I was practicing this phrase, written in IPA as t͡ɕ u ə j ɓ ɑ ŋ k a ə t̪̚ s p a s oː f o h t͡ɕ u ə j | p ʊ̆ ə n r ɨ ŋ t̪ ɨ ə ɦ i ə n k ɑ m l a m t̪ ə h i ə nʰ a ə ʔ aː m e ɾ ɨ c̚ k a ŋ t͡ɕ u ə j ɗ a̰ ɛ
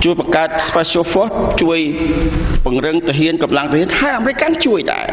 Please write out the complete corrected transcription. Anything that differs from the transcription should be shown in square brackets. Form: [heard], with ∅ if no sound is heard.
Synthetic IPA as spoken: t͡ɕ u ə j ɓ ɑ ŋ k a ə t̪̚ s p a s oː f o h t͡ɕ u ə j | p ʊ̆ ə [ŋ] r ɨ ŋ t̪ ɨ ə ɦ i ə n k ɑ m l a [ŋ] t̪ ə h i ə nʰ a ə ʔ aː m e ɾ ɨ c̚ k a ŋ t͡ɕ u ə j ɗ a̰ ɛ